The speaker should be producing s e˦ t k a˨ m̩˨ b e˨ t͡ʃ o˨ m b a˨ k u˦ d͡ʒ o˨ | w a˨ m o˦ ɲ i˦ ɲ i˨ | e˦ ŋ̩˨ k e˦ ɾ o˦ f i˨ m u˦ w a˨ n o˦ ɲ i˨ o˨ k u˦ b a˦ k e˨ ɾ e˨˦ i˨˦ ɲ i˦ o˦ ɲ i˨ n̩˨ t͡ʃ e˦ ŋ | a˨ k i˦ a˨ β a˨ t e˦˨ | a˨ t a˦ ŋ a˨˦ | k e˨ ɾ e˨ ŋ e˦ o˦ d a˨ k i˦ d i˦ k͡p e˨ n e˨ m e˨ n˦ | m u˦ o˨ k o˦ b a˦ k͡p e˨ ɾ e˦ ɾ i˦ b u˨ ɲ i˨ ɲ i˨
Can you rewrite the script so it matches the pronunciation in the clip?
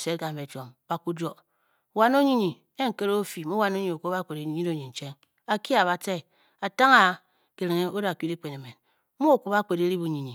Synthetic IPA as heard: s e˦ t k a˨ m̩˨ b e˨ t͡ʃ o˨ m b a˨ k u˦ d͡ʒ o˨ | w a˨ n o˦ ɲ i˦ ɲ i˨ | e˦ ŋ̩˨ k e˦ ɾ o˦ f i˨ m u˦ w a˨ n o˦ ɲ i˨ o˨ k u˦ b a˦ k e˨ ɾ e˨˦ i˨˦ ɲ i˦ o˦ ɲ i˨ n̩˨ t͡ʃ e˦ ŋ | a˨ k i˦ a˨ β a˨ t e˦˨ | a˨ t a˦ ŋ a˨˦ | k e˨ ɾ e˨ ŋ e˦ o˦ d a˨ k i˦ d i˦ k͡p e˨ n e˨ m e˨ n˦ | m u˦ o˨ k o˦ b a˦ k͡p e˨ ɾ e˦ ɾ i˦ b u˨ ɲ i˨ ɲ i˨